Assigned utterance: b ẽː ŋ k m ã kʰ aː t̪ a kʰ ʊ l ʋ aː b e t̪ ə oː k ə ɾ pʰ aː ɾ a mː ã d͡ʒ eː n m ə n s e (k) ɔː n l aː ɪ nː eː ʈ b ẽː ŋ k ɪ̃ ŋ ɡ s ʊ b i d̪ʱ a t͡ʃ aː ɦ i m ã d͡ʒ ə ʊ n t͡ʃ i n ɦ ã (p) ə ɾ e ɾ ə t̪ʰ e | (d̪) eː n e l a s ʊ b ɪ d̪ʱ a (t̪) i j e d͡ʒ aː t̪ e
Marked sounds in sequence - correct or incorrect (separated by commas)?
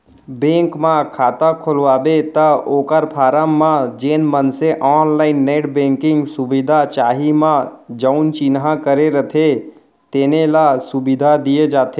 incorrect, incorrect, incorrect, incorrect